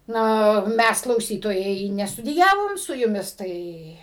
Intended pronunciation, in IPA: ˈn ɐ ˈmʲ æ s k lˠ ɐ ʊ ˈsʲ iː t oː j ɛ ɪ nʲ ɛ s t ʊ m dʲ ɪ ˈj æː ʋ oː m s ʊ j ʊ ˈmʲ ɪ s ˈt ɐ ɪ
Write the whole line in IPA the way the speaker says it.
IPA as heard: ˈn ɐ ˈmʲ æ s k lˠ ɐ ʊ ˈsʲ iː t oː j ɛ ɪ nʲ ɛ s t ʊ dʲ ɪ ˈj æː ʋ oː m s ʊ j ʊ ˈmʲ ɪ s ˈt ɐ ɪ